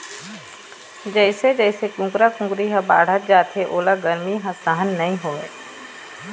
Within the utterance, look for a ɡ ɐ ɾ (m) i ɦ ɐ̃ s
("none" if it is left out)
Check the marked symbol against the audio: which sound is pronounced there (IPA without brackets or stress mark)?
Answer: m